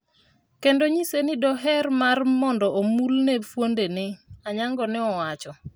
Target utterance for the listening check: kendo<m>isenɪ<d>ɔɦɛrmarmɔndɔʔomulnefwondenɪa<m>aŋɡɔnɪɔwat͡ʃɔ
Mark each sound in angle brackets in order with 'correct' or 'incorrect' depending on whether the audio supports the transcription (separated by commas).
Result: incorrect, correct, incorrect